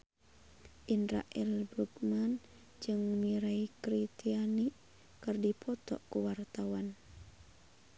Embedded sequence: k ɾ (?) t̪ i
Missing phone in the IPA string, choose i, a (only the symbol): i